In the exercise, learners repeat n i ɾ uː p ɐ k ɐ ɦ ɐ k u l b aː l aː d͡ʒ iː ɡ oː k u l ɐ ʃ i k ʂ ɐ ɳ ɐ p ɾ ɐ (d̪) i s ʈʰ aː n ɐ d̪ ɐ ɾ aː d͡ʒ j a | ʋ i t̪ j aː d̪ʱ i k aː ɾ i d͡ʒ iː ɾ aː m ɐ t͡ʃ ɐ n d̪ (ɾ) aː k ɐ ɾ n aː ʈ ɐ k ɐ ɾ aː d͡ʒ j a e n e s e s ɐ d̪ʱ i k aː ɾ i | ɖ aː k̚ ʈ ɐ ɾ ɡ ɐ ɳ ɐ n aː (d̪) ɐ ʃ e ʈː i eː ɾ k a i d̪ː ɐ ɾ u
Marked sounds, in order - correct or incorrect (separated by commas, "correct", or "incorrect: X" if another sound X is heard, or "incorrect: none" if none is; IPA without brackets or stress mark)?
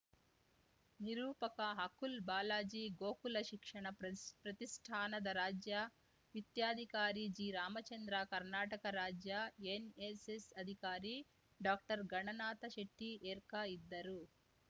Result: incorrect: t̪, correct, incorrect: t̪